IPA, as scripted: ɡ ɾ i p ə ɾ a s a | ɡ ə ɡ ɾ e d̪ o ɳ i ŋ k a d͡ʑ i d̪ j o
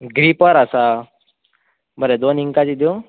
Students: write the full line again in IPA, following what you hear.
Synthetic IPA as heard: ɡ ɾ i p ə ɾ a s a | b ə ɾ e d̪ o n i ŋ k a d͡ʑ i d̪ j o